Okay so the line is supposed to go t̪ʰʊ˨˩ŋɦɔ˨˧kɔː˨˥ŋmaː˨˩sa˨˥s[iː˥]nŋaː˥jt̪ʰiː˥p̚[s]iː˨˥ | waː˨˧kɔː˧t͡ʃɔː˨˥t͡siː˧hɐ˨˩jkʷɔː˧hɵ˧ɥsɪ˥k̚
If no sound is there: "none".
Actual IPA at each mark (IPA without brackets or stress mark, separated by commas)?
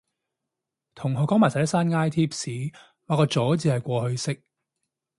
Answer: aː˥, s